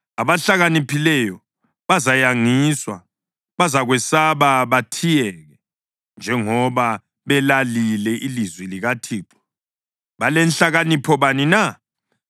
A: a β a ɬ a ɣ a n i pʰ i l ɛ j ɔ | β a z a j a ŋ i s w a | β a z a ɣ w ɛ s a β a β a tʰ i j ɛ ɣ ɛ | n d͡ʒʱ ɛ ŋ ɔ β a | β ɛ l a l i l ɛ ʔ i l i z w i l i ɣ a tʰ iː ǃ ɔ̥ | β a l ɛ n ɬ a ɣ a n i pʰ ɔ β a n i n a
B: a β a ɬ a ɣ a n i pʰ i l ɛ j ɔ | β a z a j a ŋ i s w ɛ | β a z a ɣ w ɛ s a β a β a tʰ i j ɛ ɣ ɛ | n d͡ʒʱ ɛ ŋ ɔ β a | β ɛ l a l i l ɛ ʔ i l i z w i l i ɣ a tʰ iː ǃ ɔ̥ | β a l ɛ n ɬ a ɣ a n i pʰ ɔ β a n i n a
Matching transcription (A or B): A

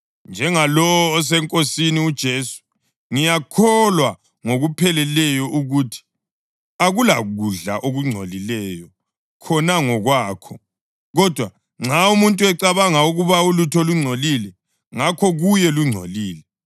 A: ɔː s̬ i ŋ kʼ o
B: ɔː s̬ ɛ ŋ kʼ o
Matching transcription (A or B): B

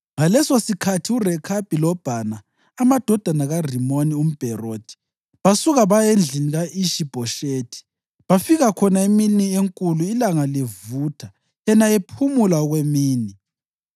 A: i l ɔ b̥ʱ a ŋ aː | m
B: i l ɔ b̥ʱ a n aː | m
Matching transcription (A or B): B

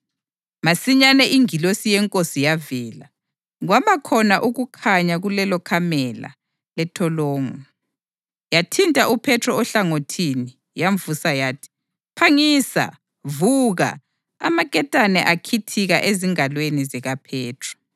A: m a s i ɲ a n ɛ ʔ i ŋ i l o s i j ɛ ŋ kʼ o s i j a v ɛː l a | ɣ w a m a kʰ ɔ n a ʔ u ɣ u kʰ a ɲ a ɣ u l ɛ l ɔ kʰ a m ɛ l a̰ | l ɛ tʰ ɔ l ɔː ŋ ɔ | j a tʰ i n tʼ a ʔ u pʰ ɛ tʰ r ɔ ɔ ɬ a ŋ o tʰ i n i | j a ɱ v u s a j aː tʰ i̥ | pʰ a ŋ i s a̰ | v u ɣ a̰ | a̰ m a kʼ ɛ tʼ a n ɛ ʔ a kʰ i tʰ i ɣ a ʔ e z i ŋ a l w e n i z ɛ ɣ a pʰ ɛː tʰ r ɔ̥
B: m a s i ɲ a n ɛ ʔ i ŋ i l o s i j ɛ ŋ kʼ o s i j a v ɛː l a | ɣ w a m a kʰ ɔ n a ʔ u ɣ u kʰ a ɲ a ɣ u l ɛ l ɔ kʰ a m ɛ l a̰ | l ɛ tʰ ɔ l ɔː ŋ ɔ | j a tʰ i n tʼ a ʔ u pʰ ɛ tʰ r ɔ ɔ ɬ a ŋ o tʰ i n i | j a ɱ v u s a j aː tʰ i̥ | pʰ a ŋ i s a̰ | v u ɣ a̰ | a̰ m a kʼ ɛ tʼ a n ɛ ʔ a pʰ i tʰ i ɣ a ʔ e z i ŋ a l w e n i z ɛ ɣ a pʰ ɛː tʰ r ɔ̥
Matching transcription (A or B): A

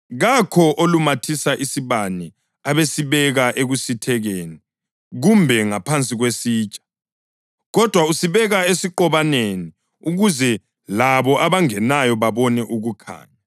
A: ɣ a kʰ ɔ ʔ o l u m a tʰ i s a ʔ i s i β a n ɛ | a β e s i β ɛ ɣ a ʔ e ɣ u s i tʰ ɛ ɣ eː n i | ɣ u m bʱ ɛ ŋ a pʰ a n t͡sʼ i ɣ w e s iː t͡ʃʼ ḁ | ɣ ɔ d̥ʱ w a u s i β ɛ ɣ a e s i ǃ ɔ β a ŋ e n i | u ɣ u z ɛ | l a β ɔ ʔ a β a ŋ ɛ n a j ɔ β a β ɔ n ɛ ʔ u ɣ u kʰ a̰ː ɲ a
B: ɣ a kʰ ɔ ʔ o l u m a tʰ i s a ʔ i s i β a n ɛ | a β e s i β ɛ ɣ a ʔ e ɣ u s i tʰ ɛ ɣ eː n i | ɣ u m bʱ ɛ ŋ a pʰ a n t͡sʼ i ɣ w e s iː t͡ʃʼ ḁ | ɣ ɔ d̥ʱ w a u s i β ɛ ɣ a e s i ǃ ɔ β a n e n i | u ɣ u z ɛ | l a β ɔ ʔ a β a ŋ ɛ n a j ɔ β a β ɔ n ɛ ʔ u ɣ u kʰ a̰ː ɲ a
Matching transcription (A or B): B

